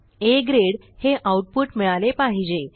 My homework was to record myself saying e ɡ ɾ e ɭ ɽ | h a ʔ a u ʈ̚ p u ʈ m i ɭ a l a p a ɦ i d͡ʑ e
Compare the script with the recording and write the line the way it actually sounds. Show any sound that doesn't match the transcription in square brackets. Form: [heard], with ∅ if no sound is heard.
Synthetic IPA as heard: e ɡ ɾ e [∅] ɽ | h [e] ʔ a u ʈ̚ p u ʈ m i ɭ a l [e] p a ɦ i d͡ʑ e